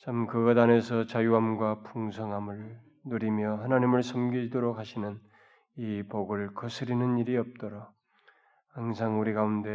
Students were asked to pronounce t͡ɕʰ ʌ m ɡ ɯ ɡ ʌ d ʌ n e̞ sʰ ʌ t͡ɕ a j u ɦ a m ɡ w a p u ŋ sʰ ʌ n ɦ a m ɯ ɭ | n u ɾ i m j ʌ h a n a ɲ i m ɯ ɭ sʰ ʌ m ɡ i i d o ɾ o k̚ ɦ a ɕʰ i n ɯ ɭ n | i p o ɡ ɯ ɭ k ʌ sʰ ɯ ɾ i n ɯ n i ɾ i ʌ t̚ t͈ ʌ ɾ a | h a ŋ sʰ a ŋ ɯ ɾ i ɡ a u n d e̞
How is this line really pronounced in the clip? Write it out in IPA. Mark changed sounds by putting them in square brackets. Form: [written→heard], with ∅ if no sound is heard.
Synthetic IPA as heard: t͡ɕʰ [ʌ→a] m [ɡ→k] ɯ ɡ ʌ d [ʌ→a] n e̞ sʰ ʌ t͡ɕ a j u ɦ a m ɡ w a p u ŋ sʰ ʌ [n→ŋ] ɦ a m ɯ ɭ | n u ɾ i m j ʌ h a n a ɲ i m ɯ ɭ sʰ ʌ m ɡ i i d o ɾ o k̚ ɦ a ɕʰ i n ɯ [ɭ→∅] n | i p o ɡ ɯ ɭ k ʌ sʰ ɯ ɾ i n ɯ n i ɾ i ʌ [t̚→p̚] t͈ ʌ ɾ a | h a ŋ sʰ a ŋ [ɯ→u] ɾ i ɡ a u n d e̞